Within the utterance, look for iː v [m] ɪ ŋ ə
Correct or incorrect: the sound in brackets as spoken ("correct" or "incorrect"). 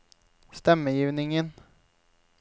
incorrect